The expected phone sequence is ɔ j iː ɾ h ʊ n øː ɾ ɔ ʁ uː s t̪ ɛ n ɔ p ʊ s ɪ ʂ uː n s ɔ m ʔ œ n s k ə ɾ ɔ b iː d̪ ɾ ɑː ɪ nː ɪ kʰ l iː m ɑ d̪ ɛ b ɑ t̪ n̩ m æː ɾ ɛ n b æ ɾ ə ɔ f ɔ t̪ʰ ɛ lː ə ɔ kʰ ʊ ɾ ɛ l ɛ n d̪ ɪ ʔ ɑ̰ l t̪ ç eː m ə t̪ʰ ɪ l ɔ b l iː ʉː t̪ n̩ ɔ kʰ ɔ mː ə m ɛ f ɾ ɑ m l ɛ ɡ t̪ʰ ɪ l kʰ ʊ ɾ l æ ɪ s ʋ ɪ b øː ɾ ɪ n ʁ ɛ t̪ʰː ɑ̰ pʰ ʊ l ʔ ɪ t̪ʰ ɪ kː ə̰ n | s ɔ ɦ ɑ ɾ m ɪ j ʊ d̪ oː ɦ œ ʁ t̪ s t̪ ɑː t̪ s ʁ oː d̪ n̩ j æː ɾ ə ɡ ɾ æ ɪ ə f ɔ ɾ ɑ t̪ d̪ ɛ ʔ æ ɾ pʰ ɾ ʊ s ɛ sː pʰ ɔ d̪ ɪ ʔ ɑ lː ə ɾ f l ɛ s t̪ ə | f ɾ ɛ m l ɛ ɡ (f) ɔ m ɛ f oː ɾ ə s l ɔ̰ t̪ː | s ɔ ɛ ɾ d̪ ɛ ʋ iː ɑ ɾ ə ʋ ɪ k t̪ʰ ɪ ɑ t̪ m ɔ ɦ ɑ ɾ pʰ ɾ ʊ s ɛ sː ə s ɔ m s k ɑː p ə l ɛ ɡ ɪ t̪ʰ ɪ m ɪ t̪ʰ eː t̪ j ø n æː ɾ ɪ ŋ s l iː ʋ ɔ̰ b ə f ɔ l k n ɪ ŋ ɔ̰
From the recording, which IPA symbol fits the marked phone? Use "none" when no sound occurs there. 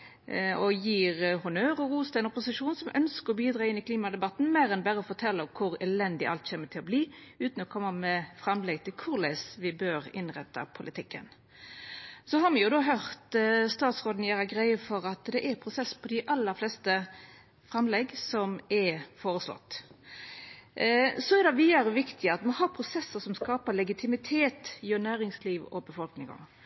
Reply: s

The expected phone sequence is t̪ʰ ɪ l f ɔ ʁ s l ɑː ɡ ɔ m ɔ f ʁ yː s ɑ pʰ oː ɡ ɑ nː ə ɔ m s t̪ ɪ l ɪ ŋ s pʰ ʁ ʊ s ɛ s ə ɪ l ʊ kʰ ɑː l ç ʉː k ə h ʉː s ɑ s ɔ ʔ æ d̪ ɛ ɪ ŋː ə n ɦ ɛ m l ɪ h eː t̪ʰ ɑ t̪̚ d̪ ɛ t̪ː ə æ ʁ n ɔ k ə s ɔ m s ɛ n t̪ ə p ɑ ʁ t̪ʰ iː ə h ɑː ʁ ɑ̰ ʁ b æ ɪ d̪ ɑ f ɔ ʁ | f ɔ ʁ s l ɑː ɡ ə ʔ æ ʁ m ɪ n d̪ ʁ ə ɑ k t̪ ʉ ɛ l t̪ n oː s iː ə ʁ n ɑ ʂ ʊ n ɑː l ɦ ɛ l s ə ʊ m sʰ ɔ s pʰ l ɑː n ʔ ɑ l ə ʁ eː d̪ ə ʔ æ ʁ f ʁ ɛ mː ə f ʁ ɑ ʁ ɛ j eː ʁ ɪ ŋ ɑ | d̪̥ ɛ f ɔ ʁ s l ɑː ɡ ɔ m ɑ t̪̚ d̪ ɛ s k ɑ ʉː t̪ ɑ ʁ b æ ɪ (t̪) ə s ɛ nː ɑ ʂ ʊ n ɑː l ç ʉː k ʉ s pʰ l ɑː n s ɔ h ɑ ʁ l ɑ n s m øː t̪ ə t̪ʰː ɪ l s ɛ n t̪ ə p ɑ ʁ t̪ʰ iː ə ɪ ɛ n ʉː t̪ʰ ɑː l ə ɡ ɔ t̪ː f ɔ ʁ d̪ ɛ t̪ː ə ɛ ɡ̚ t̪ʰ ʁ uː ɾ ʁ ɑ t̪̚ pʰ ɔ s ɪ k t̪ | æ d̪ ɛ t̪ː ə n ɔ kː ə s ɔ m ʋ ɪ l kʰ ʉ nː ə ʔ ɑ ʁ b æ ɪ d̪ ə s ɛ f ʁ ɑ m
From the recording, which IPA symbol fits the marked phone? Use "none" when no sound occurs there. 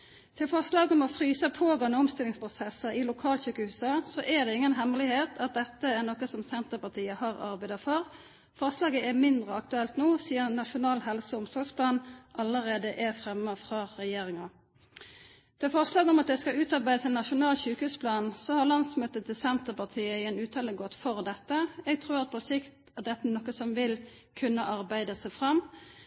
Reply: d̪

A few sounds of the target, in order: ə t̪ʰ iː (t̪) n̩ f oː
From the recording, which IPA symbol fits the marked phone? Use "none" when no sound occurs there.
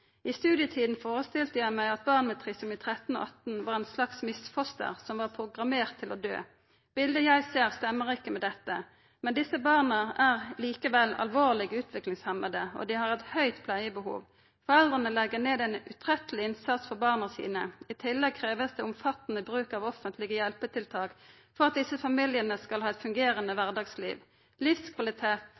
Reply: d̪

